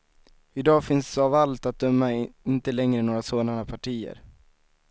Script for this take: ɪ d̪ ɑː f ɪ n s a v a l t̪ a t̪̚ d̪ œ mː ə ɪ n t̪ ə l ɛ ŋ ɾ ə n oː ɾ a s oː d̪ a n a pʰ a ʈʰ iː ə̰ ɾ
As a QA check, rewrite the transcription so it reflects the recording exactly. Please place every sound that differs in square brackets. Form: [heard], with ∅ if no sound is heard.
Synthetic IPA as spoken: ɪ d̪ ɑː f ɪ n s a v a l t̪ a t̪̚ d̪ œ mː [a] ɪ n t̪ ə l ɛ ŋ ɾ ə n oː ɾ a s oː d̪ a n a pʰ a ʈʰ iː ə̰ ɾ

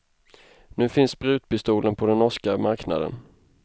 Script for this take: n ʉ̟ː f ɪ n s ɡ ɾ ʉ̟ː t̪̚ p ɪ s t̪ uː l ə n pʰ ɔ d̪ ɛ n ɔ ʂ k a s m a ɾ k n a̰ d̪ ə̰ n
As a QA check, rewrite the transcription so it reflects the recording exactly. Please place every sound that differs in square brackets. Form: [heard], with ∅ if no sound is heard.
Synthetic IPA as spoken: n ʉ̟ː f ɪ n s [b] ɾ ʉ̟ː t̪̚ p ɪ s t̪ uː l ə n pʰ ɔ d̪ ɛ n ɔ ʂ k a [∅] m a ɾ k n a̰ d̪ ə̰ n

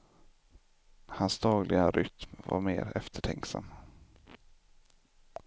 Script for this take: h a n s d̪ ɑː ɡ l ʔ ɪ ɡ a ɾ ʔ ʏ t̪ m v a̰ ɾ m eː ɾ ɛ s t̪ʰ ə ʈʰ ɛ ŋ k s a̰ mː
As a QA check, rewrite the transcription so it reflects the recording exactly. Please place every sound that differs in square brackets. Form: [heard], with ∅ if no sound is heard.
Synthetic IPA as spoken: h a n s d̪ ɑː ɡ l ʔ ɪ ɡ a ɾ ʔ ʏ t̪ m v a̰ ɾ m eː ɾ ɛ [f] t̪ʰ ə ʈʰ ɛ ŋ k s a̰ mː

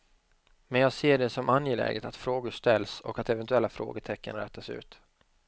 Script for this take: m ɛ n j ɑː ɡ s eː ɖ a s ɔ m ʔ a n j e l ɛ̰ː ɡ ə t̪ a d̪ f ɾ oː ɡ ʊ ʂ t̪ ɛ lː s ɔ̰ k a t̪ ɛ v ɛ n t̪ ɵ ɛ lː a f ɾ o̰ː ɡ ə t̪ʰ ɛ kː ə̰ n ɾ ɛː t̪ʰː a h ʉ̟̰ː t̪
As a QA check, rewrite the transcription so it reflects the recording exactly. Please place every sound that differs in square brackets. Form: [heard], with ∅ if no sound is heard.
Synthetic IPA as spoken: m ɛ n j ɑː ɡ s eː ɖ [ɛ] s ɔ m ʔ a n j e l ɛ̰ː ɡ ə t̪ a [t̪] f ɾ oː ɡ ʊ ʂ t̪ ɛ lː s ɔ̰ k a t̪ ɛ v ɛ n t̪ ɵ ɛ lː a f ɾ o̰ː ɡ ə t̪ʰ ɛ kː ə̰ n ɾ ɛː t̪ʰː a [s] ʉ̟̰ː t̪

